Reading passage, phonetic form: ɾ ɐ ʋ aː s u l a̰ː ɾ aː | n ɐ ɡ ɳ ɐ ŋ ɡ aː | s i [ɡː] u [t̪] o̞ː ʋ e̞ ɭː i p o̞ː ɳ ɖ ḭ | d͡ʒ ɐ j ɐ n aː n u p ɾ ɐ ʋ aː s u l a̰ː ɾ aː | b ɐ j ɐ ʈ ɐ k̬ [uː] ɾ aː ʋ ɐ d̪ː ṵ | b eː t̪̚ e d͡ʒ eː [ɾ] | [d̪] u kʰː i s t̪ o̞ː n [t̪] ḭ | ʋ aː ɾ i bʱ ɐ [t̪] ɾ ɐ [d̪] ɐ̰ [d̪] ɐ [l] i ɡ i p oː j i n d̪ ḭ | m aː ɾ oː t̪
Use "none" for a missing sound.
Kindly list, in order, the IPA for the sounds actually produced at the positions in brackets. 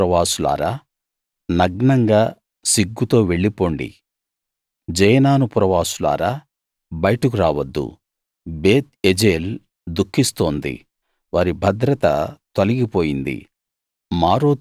ɡː, t̪, u, l, d̪, d̪, d̪, t̪, t̪, l

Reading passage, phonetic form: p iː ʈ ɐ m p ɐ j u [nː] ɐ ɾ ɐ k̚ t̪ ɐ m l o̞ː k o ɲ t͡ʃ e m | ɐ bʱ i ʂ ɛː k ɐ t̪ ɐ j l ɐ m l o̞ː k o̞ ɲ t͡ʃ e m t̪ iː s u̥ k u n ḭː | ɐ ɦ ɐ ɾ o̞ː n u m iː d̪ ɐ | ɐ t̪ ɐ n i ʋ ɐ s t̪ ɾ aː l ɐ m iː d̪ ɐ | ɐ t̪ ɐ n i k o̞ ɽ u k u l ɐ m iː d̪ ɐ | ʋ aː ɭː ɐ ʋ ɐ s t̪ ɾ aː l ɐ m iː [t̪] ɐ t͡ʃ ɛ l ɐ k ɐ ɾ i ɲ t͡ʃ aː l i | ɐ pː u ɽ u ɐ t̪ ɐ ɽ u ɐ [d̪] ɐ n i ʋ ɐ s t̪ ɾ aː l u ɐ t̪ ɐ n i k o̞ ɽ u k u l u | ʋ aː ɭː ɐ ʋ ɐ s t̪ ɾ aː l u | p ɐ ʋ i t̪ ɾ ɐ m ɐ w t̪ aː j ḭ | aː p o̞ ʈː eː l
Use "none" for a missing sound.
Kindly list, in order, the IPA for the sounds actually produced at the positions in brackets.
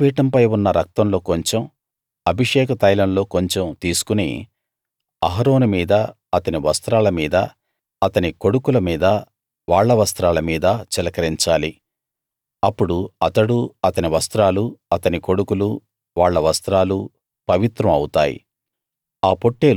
nː, d̪, t̪

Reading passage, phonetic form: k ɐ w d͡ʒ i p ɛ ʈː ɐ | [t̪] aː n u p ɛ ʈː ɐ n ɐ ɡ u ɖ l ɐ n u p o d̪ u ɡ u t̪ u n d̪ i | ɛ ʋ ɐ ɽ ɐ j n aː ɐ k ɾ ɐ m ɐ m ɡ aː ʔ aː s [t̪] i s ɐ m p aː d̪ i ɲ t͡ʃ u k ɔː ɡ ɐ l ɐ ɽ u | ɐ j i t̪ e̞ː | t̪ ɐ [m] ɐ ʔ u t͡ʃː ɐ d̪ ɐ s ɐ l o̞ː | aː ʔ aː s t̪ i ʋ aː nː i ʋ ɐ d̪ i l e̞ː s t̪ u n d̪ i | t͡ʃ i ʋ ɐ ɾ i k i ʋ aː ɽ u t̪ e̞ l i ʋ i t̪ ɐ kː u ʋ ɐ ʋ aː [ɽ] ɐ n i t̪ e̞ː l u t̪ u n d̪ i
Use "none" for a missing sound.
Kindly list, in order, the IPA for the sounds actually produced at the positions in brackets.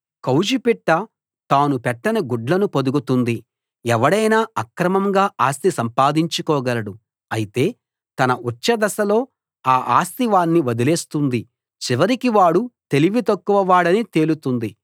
t̪, t̪, n, ɽ

